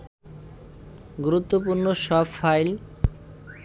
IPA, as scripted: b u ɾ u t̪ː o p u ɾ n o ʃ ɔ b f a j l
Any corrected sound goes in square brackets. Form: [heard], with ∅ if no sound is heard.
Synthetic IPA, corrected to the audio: [ɡ] u ɾ u t̪ː o p u ɾ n o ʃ ɔ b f a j l

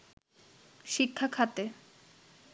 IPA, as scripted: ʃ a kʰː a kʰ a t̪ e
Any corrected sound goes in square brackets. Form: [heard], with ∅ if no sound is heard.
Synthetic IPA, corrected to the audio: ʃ [i] kʰː a kʰ a t̪ e

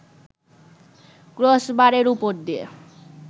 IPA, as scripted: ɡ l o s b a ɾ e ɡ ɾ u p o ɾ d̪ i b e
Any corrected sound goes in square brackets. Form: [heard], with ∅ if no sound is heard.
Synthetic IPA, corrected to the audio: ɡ [ɾ] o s b a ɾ e [∅] ɾ u p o ɾ d̪ i [∅] e

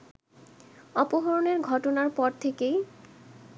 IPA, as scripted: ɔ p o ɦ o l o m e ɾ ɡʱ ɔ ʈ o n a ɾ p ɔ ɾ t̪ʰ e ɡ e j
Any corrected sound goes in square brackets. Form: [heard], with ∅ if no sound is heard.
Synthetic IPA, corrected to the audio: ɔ p o ɦ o [ɾ] o [n] e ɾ ɡʱ ɔ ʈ o n a ɾ p ɔ ɾ t̪ʰ e [k] e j

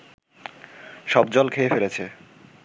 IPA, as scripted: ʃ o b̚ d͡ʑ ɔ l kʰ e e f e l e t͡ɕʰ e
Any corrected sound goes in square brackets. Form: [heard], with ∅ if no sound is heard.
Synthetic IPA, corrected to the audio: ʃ [ɔ] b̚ d͡ʑ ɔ l kʰ e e f e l e t͡ɕʰ e

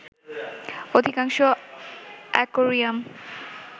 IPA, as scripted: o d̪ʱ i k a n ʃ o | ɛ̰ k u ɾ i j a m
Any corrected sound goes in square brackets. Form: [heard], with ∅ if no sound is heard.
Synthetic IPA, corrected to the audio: o d̪ʱ i k a [ŋ] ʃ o | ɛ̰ k [o] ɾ i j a m

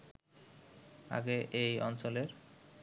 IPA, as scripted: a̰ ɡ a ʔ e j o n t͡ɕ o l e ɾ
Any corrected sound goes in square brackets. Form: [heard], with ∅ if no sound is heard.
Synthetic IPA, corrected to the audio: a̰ ɡ [e] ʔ e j [ɔ] n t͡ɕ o l e ɾ

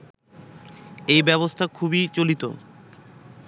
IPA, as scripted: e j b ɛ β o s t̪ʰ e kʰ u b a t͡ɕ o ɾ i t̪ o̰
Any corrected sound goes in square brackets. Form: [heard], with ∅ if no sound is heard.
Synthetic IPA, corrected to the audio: e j b ɛ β o s t̪ʰ [a] kʰ u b [i] t͡ɕ o [l] i t̪ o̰

